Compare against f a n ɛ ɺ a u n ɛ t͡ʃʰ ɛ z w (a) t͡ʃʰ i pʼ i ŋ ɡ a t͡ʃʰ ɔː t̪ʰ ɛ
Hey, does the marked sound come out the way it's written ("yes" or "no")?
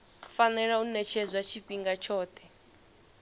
yes